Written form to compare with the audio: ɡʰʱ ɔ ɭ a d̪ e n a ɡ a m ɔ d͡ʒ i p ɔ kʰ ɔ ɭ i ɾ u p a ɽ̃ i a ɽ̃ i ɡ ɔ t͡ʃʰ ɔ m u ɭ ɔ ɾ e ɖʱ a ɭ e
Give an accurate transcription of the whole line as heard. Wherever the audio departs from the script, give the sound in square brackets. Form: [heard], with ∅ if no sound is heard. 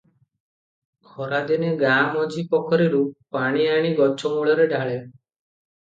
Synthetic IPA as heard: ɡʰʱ ɔ [ɾ] a d̪ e n [e] ɡ a m ɔ d͡ʒ i p ɔ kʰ ɔ [ɾ] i ɾ u p a ɽ̃ i a ɽ̃ i ɡ ɔ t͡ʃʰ ɔ m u ɭ ɔ ɾ e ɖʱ a ɭ e